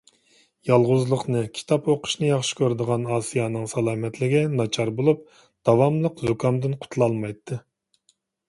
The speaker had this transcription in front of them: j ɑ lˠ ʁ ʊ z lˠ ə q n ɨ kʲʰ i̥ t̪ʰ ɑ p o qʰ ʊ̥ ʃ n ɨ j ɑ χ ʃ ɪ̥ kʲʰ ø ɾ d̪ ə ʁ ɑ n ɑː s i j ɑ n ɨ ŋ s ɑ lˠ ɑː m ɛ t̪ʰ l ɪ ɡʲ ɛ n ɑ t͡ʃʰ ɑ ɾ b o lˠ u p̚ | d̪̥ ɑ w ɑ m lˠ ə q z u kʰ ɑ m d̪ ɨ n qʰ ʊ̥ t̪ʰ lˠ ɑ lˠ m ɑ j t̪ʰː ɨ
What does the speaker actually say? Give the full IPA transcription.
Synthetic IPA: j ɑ lˠ ʁ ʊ z lˠ ə q n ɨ kʲʰ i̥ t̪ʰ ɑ p o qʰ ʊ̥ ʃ n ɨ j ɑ χ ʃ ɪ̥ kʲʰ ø ɾ d̪ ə ʁ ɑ n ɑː s i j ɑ n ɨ ŋ s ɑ lˠ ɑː m ɛ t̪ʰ l ɪ ɡʲ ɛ n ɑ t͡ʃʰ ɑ ɾ b o lˠ u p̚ | d̪̥ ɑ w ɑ m lˠ ə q z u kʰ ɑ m d̪ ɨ n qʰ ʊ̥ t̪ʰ lˠ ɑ lˠ m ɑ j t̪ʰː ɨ